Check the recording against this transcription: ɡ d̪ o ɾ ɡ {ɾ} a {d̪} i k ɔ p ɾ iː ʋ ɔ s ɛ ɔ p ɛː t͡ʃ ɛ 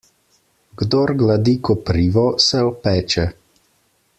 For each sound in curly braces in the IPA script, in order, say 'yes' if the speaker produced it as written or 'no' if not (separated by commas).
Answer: no, yes